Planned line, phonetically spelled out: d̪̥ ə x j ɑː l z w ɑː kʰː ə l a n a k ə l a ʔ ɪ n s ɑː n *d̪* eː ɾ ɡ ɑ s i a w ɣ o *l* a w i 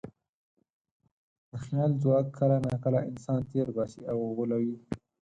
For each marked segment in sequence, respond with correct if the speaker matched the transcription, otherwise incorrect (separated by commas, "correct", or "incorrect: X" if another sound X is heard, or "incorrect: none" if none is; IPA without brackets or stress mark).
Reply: incorrect: t̪, correct